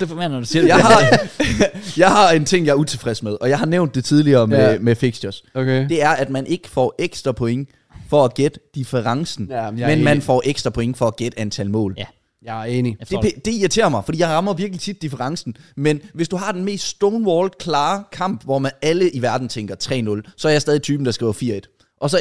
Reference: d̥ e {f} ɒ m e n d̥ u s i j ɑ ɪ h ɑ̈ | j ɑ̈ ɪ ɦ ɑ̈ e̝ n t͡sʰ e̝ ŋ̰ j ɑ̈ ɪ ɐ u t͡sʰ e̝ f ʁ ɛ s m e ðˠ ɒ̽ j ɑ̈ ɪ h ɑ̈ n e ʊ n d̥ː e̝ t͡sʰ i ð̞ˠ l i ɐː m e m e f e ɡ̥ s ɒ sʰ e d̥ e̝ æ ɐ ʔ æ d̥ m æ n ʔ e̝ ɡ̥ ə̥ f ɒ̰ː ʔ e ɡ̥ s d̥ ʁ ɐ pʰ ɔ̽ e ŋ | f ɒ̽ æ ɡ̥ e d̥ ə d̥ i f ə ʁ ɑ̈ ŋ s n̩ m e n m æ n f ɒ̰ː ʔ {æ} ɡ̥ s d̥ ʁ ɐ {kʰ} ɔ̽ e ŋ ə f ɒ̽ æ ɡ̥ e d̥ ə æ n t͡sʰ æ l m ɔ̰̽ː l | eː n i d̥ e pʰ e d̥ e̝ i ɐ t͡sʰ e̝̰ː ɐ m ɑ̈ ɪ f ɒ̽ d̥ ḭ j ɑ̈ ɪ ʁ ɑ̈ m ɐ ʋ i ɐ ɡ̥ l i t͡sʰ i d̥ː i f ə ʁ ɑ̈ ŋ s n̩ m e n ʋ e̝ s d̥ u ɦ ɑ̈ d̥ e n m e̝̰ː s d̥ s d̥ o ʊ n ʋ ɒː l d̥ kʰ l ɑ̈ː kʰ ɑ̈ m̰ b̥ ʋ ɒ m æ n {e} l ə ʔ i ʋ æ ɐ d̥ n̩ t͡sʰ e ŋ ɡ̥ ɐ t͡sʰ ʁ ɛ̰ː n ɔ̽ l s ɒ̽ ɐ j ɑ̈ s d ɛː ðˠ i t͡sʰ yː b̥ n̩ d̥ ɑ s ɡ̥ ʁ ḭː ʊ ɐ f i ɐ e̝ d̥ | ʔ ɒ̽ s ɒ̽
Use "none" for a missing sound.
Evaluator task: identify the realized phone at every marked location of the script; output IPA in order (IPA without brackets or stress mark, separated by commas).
f, e, pʰ, æ